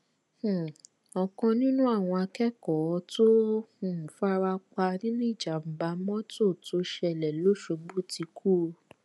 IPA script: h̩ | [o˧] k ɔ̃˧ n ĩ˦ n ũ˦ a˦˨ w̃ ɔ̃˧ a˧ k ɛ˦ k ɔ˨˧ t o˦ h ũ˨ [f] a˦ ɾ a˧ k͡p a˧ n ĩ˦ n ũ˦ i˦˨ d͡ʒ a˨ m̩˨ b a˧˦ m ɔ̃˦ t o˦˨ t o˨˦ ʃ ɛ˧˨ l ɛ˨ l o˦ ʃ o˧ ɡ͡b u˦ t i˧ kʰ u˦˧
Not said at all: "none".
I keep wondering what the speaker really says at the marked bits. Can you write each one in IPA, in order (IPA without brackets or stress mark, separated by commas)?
ɔ˧, f